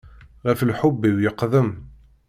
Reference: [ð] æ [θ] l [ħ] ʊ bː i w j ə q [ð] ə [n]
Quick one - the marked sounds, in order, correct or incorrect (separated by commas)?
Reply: incorrect, incorrect, correct, correct, incorrect